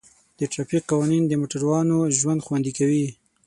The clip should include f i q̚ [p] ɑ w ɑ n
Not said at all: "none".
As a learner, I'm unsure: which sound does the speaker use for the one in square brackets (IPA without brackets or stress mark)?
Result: q